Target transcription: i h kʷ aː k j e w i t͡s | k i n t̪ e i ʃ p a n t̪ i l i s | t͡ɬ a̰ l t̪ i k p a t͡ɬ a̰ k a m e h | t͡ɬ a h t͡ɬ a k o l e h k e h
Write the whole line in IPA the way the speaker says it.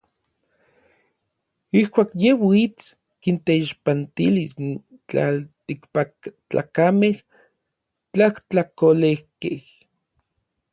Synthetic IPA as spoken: i h kʷ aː k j e w i t͡s | k i n t̪ e i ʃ p a n t̪ i l i s | t͡ɬ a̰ l t̪ i k p a t͡ɬ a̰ k a m e h | t͡ɬ a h t͡ɬ a k o l e h k e h